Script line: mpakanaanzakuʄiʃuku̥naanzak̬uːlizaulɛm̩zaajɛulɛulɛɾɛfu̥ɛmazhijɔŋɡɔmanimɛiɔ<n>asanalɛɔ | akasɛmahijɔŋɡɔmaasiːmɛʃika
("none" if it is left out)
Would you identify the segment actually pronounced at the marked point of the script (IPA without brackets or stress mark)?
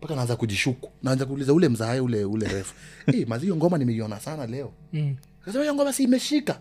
n